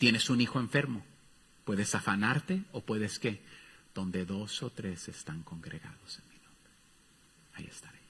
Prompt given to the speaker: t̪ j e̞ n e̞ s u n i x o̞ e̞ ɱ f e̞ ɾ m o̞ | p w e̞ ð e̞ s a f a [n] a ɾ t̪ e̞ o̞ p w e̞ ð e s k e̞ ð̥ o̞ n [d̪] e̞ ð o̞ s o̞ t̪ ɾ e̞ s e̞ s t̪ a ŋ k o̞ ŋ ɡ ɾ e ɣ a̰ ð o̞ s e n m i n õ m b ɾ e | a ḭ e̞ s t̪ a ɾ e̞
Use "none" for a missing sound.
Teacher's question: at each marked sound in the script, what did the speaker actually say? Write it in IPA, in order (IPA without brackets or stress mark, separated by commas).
n, d̪